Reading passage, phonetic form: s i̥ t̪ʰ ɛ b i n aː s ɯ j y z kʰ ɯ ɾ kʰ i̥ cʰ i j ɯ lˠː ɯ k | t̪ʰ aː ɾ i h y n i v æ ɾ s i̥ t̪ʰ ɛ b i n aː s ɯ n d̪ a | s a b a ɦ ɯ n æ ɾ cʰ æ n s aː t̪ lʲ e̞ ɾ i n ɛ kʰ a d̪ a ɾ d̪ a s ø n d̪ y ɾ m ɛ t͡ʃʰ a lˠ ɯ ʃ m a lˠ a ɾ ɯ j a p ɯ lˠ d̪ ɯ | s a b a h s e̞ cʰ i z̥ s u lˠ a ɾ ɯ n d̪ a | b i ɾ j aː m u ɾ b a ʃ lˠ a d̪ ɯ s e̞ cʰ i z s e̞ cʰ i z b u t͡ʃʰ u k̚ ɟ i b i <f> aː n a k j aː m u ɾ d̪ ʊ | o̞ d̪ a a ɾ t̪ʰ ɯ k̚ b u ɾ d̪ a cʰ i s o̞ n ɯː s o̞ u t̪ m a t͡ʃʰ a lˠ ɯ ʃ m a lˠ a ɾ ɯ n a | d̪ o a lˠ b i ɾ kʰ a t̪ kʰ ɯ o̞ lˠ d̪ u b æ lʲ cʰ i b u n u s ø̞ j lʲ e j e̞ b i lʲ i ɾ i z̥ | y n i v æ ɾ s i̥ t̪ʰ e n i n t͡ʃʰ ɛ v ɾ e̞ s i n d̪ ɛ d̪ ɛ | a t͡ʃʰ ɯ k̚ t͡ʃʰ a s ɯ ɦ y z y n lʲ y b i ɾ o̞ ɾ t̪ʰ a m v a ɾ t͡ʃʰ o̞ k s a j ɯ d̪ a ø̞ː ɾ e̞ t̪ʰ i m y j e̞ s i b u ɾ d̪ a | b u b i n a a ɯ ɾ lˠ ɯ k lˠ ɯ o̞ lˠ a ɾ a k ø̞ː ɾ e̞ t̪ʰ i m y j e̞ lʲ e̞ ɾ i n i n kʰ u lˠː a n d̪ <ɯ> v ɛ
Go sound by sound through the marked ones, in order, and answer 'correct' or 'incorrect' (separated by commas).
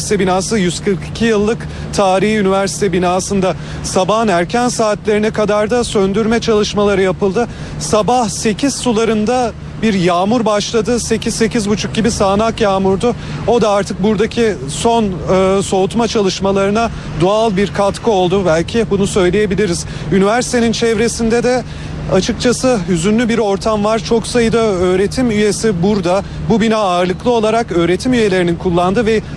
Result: incorrect, correct